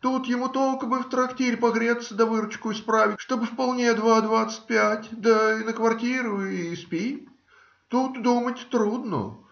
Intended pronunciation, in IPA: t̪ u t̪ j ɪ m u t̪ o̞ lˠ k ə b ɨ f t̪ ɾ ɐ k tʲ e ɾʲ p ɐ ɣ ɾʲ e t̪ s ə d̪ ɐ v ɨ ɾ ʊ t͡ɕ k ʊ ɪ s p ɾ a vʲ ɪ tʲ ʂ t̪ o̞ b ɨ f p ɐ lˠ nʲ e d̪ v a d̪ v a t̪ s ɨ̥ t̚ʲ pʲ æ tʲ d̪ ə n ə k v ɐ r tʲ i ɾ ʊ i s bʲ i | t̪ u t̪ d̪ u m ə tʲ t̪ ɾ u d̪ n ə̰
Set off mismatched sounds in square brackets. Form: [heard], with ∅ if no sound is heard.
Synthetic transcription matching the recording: t̪ u t̪ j ɪ m u t̪ o̞ lˠ k ə b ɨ f t̪ ɾ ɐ k tʲ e ɾʲ p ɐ ɣ ɾʲ e t̪ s ə d̪ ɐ v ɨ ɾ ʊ t͡ɕ k ʊ ɪ s p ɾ a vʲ ɪ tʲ ʂ t̪ o̞ b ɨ f p ɐ lˠ nʲ e d̪ v a d̪ v a t̪ s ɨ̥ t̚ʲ pʲ æ tʲ d̪ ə n ə k v ɐ r tʲ i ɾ ʊ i s [pʲ] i | t̪ u t̪ d̪ u m ə tʲ t̪ ɾ u d̪ n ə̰